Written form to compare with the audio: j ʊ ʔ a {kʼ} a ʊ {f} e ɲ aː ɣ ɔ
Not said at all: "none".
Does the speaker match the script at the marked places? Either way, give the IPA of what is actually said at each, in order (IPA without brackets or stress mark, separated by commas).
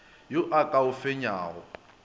kʼ, f